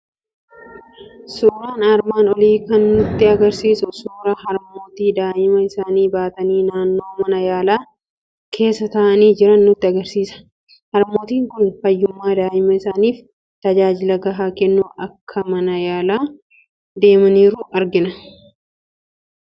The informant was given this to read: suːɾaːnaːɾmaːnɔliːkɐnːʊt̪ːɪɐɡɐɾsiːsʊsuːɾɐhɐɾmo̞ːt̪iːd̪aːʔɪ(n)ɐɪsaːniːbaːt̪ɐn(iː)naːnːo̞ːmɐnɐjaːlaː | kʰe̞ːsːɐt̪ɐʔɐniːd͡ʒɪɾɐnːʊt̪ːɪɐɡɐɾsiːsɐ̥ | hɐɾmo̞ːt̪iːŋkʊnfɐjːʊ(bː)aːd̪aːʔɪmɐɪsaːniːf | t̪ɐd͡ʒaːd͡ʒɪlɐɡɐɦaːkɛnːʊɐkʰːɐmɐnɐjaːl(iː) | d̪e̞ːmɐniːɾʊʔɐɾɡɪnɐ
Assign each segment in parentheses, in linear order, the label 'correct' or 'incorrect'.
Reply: incorrect, correct, incorrect, incorrect

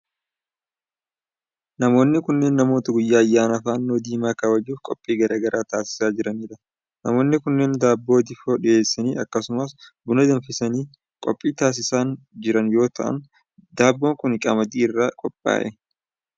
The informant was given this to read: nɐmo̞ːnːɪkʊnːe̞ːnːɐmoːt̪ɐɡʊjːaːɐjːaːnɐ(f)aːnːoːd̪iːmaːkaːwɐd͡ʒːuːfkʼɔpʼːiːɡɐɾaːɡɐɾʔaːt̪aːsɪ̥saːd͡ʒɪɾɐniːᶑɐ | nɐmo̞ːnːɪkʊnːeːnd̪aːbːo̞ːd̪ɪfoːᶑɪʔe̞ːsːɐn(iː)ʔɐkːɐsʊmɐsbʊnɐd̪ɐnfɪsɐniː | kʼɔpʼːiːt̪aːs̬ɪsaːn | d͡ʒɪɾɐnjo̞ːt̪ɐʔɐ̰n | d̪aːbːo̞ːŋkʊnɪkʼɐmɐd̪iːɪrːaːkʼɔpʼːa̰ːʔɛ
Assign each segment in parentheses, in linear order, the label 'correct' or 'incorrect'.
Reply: correct, correct

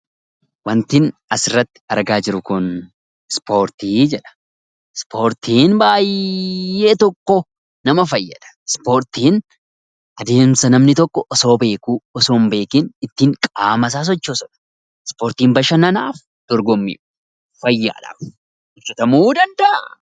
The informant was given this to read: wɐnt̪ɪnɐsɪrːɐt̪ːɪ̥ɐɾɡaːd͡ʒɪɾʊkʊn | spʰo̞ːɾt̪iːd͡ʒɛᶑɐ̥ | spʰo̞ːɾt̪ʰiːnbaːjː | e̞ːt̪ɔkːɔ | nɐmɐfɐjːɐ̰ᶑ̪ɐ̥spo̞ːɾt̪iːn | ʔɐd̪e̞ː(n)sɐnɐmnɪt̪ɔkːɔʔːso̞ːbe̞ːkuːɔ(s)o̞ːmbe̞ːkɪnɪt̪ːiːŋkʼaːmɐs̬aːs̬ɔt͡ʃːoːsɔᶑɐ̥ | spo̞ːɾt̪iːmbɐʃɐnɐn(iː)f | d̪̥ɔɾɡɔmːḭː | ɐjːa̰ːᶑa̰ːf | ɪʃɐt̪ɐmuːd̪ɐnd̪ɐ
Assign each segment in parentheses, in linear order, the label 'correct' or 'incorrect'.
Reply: incorrect, correct, incorrect

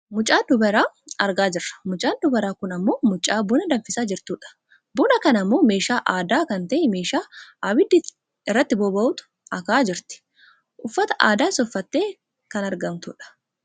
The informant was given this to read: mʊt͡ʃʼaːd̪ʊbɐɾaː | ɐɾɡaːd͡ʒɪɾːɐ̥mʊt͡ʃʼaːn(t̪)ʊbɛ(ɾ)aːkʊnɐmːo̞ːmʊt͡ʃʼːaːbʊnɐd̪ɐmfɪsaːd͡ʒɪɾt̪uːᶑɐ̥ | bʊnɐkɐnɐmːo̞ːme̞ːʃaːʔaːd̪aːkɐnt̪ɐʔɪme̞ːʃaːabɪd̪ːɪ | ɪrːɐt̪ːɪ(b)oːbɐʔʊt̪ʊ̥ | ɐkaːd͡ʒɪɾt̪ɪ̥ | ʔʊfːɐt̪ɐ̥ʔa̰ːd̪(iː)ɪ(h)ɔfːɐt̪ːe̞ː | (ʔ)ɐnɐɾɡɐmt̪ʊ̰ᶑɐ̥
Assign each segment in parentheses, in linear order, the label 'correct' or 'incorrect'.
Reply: incorrect, correct, correct, incorrect, incorrect, incorrect

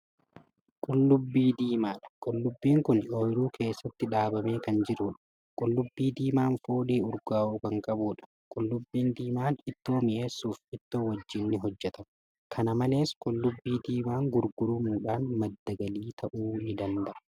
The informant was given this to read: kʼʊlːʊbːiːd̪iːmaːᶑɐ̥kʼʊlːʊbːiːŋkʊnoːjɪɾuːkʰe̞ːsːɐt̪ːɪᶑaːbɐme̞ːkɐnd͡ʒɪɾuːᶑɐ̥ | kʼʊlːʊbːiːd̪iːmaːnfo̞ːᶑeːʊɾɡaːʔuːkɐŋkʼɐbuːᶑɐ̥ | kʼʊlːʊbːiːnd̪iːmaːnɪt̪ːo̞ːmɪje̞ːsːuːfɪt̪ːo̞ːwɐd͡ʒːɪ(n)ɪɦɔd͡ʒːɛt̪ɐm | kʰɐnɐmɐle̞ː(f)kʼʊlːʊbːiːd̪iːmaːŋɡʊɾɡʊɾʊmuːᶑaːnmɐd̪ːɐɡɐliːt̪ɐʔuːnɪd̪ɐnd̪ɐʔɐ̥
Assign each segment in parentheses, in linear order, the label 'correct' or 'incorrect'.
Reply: incorrect, incorrect

